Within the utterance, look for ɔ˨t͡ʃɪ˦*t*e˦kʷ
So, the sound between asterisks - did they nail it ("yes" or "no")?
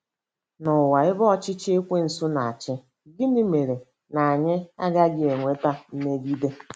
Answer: no